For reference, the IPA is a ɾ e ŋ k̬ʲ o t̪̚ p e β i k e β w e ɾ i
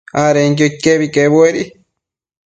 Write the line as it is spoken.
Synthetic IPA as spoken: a ɾ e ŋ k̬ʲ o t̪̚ k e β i k e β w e ɾ i